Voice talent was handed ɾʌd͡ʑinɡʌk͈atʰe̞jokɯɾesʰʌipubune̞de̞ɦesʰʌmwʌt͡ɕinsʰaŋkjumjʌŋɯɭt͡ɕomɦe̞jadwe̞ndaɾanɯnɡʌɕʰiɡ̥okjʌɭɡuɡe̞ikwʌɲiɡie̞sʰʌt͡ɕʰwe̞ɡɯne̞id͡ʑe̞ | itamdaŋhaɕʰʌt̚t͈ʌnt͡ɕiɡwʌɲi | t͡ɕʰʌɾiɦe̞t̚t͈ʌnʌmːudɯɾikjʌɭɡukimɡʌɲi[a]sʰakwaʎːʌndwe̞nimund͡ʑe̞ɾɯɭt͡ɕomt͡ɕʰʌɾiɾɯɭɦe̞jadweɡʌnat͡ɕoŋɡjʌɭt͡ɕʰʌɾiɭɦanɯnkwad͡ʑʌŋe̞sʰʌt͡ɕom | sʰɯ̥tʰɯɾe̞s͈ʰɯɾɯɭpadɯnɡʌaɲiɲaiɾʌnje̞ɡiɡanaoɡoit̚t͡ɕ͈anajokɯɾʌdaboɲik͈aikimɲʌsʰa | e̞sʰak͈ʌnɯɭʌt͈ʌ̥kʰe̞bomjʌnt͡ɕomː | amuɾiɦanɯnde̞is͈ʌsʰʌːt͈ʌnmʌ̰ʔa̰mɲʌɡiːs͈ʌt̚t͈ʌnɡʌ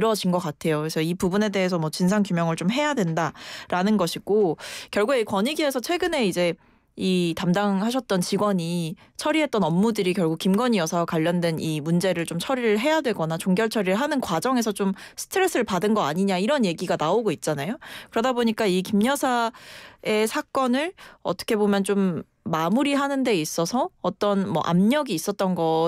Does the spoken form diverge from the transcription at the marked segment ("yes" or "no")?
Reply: yes